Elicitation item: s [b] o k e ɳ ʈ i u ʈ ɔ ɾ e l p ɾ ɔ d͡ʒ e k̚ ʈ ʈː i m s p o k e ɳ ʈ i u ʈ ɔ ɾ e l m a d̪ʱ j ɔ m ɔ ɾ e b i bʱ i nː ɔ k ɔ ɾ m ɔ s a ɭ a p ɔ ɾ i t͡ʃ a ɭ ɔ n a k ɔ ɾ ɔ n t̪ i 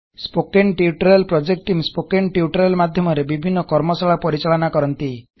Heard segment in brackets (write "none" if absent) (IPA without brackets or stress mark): p